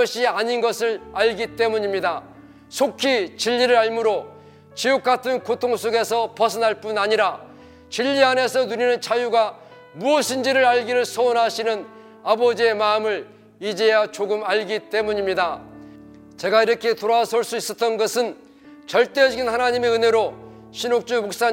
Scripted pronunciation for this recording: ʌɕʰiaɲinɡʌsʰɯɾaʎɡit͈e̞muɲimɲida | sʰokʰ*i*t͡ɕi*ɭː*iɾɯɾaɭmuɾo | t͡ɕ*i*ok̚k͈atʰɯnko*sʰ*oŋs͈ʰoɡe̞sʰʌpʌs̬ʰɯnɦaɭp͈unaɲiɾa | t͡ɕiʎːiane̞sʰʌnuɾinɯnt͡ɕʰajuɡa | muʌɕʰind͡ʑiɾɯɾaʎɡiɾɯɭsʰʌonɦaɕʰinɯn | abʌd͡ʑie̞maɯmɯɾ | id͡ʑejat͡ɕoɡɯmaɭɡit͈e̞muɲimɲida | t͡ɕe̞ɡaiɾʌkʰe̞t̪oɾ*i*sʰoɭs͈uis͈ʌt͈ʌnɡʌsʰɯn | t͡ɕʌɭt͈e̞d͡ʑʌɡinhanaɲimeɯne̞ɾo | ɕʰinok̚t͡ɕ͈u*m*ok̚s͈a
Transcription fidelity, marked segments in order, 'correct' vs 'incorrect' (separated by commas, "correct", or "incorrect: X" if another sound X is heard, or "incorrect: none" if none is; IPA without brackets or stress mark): correct, incorrect: ʎː, correct, incorrect: tʰ, incorrect: a, correct